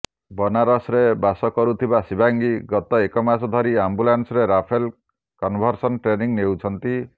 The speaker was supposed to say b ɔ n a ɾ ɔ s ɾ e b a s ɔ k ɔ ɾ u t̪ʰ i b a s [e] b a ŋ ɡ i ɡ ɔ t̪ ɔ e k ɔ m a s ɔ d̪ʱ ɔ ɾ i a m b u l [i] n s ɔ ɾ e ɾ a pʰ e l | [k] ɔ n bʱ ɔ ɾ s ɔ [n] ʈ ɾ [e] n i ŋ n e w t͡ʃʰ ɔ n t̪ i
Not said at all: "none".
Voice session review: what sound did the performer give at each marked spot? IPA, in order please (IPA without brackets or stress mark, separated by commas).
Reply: i, a, k, n, e